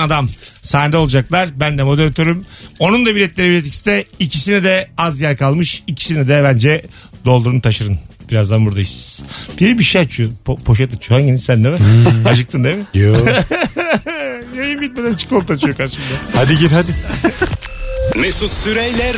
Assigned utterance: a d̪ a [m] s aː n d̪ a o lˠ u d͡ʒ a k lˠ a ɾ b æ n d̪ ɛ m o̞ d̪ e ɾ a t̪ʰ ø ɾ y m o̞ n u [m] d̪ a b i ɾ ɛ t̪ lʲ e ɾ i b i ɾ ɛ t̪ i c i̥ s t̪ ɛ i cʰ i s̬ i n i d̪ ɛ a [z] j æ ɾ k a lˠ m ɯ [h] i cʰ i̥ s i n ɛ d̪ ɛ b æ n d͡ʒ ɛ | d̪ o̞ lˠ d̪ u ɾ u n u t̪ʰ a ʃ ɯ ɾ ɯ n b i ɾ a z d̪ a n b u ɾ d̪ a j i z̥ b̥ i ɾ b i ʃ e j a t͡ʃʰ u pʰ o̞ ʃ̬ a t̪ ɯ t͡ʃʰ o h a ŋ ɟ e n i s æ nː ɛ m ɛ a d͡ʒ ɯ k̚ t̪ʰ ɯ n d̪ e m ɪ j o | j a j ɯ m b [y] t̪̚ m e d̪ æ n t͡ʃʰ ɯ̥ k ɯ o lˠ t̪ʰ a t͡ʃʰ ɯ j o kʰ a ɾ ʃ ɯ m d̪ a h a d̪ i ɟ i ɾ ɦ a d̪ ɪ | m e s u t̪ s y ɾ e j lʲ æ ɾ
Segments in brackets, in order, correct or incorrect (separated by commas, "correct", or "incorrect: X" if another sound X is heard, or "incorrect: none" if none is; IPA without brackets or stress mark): correct, incorrect: n, correct, incorrect: ʃ, incorrect: i